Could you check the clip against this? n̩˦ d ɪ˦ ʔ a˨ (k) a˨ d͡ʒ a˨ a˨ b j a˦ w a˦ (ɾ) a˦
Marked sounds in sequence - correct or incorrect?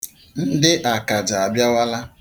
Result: correct, incorrect: l

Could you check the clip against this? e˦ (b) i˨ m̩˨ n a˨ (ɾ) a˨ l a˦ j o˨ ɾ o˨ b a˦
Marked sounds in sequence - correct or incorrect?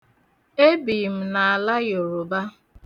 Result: correct, incorrect: none

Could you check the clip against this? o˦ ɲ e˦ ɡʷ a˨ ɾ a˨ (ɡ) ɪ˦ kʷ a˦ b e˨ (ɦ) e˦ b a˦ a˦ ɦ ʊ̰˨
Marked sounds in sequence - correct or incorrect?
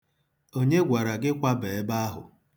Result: correct, incorrect: none

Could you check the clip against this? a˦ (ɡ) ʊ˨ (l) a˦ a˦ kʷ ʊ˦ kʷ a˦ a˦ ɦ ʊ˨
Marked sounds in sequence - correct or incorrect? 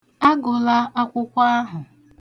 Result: correct, correct

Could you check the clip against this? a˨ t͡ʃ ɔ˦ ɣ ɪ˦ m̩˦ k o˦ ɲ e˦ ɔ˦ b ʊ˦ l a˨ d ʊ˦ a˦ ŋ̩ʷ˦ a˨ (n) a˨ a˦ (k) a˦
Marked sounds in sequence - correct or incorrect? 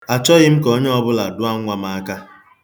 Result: incorrect: m, correct

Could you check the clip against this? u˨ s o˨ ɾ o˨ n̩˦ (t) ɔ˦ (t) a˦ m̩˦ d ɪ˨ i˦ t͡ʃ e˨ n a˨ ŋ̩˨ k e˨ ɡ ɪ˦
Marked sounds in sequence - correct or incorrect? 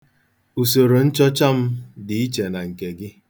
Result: incorrect: t͡ʃ, incorrect: t͡ʃ

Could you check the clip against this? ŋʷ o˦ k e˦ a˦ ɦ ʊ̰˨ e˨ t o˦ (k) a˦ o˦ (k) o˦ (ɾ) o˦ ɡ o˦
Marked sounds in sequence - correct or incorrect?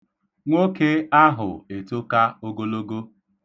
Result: correct, incorrect: ɡ, incorrect: l

